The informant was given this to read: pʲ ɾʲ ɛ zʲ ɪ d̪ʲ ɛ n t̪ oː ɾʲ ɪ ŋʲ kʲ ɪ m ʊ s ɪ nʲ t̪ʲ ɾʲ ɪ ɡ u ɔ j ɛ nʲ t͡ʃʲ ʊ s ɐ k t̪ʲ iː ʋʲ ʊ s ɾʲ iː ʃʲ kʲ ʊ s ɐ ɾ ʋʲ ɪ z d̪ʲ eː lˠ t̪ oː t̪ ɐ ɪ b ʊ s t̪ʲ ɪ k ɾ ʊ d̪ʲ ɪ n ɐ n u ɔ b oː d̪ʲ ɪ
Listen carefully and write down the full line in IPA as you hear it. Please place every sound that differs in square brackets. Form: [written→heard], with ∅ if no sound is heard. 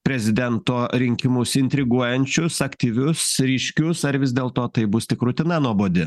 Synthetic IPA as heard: pʲ ɾʲ ɛ zʲ ɪ d̪ʲ ɛ n t̪ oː ɾʲ ɪ ŋʲ kʲ ɪ m ʊ s ɪ nʲ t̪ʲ ɾʲ ɪ ɡ u ɔ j ɛ nʲ t͡ʃʲ ʊ s ɐ k t̪ʲ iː ʋʲ ʊ s ɾʲ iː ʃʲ kʲ ʊ s ɐ ɾ ʋʲ ɪ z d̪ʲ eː lˠ t̪ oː t̪ ɐ ɪ b ʊ s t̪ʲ ɪ k ɾ ʊ [d̪ʲ→t̪ʲ] ɪ n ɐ n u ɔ b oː d̪ʲ ɪ

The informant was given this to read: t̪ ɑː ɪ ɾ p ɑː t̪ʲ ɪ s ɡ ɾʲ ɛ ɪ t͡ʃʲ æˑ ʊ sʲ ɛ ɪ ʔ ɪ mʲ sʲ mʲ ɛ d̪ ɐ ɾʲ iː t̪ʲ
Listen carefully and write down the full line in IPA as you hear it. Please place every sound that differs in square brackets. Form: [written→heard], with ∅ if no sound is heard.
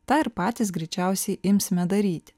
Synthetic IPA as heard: t̪ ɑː ɪ ɾ p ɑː t̪ʲ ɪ s ɡ ɾʲ ɛ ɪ t͡ʃʲ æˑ ʊ sʲ ɛ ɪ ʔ ɪ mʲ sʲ mʲ ɛ d̪ ɐ ɾʲ iː t̪ʲ

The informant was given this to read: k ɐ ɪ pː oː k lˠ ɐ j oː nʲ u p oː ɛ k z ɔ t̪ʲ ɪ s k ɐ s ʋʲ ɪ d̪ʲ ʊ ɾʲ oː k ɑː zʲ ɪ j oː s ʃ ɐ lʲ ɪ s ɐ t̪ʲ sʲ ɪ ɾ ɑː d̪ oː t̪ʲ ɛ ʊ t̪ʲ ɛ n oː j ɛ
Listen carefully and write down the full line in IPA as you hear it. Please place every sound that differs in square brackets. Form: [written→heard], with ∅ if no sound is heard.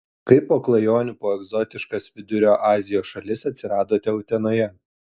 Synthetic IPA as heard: k ɐ ɪ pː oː k lˠ ɐ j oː nʲ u p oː ɛ [k→ɡ] z ɔ t̪ʲ ɪ [s→ʃ] k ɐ s ʋʲ ɪ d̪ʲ ʊ ɾʲ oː [k→ʔ] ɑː zʲ ɪ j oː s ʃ ɐ lʲ ɪ s ɐ t̪ʲ sʲ ɪ ɾ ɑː d̪ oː t̪ʲ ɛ ʊ t̪ʲ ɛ n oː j ɛ

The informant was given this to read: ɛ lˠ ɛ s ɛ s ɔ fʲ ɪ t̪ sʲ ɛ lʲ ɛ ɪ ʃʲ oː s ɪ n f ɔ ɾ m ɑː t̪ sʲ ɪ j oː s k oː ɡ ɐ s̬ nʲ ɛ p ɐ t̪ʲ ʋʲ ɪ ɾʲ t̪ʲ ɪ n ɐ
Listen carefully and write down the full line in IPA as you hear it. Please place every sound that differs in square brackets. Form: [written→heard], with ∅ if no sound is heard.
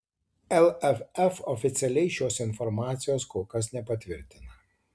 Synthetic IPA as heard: ɛ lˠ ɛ [s→f] ɛ [s→f] ɔ fʲ ɪ t̪ sʲ ɛ lʲ ɛ ɪ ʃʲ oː s ɪ n f ɔ ɾ m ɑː t̪ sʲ ɪ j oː s k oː [ɡ→k] ɐ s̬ nʲ ɛ p ɐ t̪ʲ ʋʲ ɪ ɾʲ t̪ʲ ɪ n ɐ

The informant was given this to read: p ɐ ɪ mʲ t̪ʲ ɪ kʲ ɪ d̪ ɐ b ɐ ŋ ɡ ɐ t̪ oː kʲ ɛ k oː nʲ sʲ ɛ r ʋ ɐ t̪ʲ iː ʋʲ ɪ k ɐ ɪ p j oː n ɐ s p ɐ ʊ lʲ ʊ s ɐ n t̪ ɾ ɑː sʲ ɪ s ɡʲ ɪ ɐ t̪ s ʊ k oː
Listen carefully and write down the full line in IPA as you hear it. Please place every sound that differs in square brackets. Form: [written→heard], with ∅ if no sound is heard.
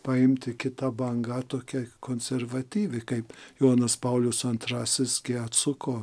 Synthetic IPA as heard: p ɐ ɪ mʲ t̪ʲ ɪ kʲ ɪ [d̪→t̪] ɐ b ɐ ŋ ɡ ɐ t̪ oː kʲ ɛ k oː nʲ sʲ ɛ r ʋ ɐ t̪ʲ iː ʋʲ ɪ k ɐ ɪ p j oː n ɐ s p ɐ ʊ lʲ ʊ s ɐ n t̪ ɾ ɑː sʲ ɪ s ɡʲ ɪ ɐ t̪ s ʊ k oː

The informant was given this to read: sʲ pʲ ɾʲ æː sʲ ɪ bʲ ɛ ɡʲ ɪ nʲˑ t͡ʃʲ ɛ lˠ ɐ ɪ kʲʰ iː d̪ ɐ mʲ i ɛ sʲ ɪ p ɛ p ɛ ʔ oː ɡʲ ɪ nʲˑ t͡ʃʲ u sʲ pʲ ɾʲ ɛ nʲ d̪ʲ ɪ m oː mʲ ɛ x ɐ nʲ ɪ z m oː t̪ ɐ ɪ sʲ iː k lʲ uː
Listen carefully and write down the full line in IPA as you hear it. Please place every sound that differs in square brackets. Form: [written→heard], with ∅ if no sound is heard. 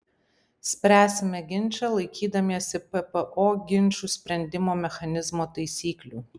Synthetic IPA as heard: sʲ pʲ ɾʲ æː sʲ ɪ [bʲ→mʲ] ɛ ɡʲ ɪ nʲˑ t͡ʃʲ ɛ lˠ ɐ ɪ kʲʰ iː d̪ ɐ mʲ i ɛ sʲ ɪ p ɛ p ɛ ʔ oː ɡʲ ɪ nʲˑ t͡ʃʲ u sʲ pʲ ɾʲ ɛ nʲ d̪ʲ ɪ m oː mʲ ɛ x ɐ nʲ ɪ z m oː t̪ ɐ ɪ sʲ iː k lʲ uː

